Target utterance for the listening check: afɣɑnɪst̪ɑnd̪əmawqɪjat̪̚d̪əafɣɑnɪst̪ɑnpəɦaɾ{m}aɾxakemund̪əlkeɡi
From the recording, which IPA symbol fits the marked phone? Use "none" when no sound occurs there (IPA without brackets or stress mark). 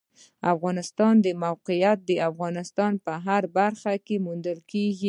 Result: b